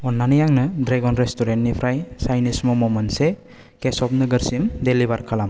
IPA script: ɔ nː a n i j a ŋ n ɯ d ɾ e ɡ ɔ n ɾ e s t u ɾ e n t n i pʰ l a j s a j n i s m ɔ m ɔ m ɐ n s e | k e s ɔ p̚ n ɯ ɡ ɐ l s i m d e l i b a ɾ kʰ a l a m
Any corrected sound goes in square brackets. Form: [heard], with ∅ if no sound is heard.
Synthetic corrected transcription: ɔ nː a n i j a ŋ n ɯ d ɾ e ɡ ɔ n ɾ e s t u ɾ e n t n i pʰ [ɾ] a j s a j n i s m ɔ m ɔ m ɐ n s e | k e s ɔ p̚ n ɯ ɡ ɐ [ɾ] s i m d e l i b a ɾ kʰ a l a m